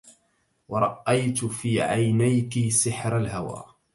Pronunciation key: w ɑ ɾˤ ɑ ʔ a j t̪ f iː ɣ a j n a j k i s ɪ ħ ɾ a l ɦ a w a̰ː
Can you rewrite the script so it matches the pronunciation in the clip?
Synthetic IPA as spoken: w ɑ ɾˤ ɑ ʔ a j t̪ f iː ʕ a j n a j k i s ɪ ħ ɾ a l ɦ a w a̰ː